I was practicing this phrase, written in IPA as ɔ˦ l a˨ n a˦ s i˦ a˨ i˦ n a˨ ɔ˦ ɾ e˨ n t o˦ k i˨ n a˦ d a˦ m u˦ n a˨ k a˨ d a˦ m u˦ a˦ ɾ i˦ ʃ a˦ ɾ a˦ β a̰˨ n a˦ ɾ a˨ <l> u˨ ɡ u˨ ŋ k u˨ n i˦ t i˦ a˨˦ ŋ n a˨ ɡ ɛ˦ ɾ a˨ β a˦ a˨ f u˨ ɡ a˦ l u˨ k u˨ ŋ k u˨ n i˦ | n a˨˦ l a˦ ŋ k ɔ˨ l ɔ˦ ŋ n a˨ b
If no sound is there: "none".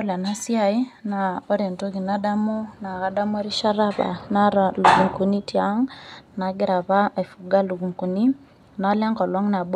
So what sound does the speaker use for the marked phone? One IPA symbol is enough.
l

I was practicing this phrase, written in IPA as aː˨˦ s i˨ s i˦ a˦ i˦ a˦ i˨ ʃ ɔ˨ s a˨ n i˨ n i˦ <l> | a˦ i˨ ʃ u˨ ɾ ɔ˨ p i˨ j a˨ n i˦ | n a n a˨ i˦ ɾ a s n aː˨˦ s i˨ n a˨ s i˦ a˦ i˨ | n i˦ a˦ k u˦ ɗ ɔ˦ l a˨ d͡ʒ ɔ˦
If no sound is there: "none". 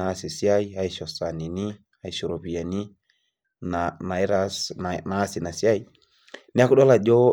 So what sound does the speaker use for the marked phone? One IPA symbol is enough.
none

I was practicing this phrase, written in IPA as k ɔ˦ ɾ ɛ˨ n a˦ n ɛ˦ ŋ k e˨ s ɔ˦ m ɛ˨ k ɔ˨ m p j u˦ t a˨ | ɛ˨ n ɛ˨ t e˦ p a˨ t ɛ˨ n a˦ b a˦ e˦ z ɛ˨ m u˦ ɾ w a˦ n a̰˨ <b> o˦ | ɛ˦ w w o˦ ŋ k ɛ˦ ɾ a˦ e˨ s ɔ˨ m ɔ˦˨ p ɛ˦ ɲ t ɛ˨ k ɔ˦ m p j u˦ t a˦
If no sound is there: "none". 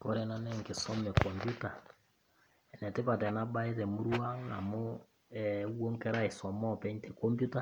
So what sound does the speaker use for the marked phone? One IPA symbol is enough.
m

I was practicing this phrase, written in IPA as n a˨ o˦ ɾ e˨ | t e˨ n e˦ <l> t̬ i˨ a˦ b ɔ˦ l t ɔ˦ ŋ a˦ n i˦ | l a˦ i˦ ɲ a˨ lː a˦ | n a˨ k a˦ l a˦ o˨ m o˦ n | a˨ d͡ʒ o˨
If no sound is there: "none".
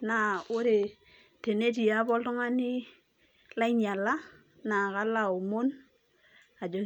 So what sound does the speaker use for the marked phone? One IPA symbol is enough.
none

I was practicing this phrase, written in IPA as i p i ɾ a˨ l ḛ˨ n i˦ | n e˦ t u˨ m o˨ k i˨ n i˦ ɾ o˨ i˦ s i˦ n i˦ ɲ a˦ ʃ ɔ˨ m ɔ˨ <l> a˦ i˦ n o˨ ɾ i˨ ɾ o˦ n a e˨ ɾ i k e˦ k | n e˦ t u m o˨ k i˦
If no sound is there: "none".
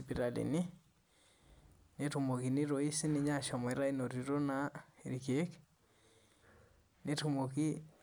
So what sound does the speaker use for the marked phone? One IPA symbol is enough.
ɾ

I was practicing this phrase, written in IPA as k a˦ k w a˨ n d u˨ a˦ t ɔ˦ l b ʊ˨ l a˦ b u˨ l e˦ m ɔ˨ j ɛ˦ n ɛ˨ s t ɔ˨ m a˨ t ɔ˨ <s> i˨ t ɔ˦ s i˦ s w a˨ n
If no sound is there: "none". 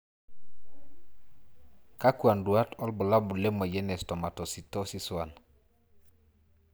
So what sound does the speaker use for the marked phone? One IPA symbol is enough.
s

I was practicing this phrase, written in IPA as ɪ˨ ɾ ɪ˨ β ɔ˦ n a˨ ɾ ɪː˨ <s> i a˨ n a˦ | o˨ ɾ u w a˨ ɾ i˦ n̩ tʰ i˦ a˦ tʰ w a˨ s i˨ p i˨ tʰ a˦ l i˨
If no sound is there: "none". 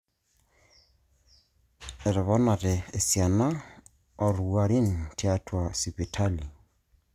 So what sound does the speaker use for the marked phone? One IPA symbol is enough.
s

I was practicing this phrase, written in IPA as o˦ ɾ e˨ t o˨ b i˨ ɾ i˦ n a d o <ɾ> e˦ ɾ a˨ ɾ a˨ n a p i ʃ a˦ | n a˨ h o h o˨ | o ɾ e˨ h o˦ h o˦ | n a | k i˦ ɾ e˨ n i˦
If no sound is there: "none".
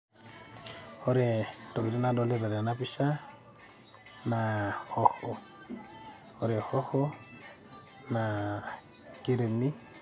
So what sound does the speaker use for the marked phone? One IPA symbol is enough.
l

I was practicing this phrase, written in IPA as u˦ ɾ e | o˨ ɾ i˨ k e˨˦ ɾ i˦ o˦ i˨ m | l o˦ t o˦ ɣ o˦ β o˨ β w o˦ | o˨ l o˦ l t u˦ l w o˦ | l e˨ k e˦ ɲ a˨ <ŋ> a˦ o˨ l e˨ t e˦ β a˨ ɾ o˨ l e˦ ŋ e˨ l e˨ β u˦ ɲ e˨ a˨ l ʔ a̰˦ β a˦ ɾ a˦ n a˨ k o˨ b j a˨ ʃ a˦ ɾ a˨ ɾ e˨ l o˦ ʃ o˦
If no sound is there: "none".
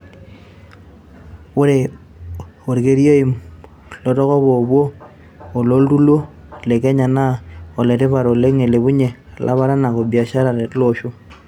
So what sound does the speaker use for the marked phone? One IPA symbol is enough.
n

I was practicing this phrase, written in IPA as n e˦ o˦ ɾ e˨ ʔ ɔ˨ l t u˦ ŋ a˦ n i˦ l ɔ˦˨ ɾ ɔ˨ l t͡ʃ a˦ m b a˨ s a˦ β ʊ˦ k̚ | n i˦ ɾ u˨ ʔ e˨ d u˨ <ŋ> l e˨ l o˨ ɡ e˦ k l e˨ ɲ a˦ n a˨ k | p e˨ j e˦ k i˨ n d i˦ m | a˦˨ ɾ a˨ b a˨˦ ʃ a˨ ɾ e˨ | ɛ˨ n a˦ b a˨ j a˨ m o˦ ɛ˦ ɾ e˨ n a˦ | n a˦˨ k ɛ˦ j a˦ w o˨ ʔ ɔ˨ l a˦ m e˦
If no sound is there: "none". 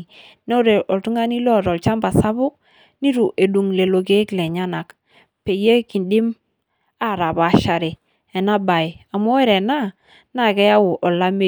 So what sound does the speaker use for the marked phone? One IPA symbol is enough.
ŋ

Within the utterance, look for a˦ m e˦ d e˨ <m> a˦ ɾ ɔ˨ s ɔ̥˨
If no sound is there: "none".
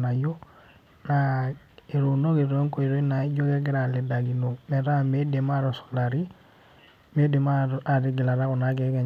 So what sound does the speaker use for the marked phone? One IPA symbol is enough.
m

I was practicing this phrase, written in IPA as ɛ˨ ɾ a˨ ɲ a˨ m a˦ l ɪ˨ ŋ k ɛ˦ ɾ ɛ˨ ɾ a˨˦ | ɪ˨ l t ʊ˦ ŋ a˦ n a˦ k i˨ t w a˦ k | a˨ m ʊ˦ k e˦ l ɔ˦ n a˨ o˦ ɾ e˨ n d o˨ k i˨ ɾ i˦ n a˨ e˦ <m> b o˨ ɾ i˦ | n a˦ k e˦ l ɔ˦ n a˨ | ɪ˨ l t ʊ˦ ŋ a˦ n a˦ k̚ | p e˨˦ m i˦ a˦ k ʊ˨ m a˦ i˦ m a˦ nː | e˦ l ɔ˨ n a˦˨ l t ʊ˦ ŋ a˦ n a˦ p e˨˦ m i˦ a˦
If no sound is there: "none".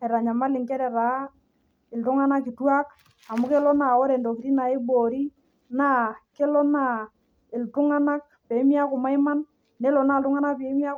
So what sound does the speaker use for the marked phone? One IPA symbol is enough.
none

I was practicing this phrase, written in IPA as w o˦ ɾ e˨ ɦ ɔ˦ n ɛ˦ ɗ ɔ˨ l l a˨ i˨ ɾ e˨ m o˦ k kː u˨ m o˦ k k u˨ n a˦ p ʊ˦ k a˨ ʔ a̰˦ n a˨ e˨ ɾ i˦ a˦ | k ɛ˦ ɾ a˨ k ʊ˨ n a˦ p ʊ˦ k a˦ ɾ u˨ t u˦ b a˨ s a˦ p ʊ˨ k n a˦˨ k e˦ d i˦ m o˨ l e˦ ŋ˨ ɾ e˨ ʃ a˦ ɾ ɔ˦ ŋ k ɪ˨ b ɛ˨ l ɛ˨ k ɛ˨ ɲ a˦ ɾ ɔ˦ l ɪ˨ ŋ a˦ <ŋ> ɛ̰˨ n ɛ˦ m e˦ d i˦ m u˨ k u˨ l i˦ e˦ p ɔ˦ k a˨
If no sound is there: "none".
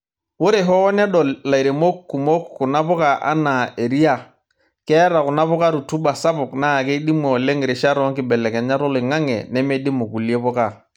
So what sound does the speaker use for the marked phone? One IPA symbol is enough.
ŋ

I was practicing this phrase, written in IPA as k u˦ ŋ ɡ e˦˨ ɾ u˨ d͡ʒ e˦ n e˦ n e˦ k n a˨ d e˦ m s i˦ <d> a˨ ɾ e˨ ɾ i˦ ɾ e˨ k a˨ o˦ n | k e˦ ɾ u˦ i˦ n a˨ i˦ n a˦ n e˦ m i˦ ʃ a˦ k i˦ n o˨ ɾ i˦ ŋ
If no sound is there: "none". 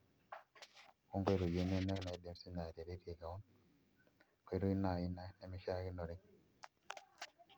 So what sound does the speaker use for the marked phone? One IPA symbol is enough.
n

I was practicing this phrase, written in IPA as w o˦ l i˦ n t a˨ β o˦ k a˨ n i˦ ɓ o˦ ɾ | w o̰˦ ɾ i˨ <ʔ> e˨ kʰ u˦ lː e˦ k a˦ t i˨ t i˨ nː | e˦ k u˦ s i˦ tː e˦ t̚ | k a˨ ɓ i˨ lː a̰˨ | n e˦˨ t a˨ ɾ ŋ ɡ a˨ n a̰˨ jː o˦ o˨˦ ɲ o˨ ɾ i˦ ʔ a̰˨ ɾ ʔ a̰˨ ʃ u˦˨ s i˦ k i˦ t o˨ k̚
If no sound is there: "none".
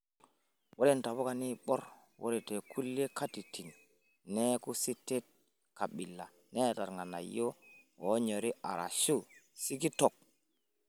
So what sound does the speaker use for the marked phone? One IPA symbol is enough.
t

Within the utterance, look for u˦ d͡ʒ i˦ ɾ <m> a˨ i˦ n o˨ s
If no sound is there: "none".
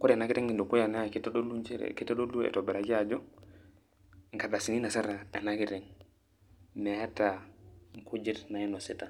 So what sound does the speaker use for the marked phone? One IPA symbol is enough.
n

